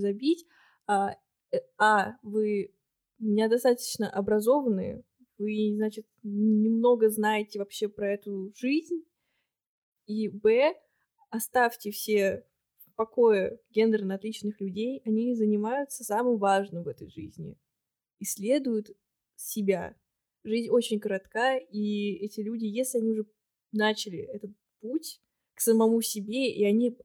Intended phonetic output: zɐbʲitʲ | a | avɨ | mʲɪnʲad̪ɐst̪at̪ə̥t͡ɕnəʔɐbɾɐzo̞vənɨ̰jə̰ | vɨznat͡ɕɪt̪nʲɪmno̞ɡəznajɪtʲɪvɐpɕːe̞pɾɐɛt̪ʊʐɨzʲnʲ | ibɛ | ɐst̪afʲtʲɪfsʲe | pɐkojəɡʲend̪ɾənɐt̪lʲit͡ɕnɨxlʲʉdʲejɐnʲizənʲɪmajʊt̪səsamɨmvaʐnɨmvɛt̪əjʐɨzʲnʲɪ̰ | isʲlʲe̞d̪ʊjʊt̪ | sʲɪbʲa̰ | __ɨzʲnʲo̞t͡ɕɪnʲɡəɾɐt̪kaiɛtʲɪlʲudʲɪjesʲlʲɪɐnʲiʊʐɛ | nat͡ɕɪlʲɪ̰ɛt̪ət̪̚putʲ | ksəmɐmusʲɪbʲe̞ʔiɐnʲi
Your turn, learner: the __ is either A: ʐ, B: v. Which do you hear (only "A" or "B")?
A